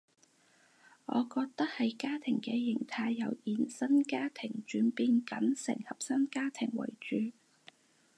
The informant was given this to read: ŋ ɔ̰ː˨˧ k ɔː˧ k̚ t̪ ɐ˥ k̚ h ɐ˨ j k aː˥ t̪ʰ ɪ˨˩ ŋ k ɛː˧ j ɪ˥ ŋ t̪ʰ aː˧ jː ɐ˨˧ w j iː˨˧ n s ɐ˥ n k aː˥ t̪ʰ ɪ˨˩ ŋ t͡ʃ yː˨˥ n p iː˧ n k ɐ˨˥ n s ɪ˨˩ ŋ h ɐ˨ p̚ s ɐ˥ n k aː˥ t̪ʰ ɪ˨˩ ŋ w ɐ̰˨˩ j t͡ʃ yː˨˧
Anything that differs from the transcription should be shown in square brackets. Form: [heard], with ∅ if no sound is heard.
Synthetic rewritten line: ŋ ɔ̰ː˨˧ k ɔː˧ k̚ t̪ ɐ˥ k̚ h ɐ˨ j k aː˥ t̪ʰ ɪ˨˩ ŋ k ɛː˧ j [ɪ˨˩] ŋ t̪ʰ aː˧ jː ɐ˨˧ w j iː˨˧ n s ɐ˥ n k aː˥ t̪ʰ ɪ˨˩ ŋ t͡ʃ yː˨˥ n p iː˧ n k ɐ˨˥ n s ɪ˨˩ ŋ h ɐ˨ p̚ s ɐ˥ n k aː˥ t̪ʰ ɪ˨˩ ŋ w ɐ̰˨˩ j t͡ʃ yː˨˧